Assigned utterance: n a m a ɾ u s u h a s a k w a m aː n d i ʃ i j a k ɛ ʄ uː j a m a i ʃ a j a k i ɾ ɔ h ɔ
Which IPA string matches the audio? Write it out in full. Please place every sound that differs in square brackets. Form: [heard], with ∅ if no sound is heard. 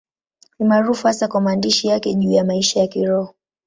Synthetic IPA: n [i] m a ɾ u [f] u h a s a k w a m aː n d i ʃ i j a k ɛ ʄ uː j a m a i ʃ a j a k i ɾ ɔ h ɔ